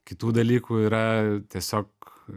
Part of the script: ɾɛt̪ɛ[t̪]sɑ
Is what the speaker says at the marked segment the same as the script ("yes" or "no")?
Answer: no